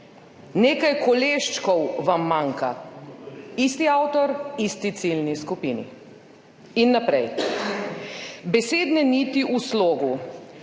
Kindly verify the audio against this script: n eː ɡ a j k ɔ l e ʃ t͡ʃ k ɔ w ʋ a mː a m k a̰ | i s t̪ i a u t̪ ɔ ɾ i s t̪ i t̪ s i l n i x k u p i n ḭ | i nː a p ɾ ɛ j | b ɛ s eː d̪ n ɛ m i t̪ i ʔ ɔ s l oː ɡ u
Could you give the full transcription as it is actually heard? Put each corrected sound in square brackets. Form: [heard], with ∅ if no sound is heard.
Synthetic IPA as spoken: n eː [k] a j k ɔ l e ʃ t͡ʃ k ɔ w ʋ a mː a [ŋ] k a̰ | i s t̪ i a [w] t̪ ɔ ɾ i s t̪ i t̪ s i l n i [s] k u p i n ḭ | i nː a p ɾ ɛ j | b ɛ s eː d̪ n ɛ [n] i t̪ i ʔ [u] s l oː ɡ u